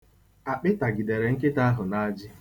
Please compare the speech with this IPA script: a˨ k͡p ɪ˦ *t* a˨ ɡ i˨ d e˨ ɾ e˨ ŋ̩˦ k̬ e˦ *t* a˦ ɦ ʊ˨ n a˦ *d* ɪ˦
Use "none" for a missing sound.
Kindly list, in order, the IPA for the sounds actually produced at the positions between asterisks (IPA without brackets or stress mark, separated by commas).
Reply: t, t, d͡ʒ